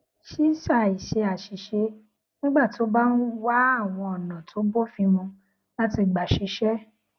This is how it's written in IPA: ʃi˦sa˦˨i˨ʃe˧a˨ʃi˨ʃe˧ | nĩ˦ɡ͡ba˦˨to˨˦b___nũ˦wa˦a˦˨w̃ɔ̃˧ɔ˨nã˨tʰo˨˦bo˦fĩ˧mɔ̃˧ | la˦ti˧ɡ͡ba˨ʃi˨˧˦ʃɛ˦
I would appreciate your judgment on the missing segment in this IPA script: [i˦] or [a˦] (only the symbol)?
a˦